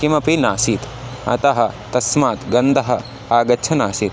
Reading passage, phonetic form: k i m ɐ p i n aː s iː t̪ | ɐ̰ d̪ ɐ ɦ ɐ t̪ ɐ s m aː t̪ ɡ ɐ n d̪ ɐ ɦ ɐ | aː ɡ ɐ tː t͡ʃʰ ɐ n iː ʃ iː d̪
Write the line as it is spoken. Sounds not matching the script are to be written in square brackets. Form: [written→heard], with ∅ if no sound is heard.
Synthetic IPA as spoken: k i m ɐ p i n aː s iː t̪ | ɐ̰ [d̪→t̪] ɐ ɦ ɐ t̪ ɐ s m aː t̪ ɡ ɐ n d̪ ɐ ɦ ɐ | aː ɡ ɐ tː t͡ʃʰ ɐ n [iː→aː] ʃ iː [d̪→t̪]